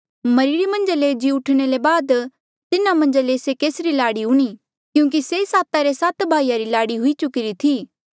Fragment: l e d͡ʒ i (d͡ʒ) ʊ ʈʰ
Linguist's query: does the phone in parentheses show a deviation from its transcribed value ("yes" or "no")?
yes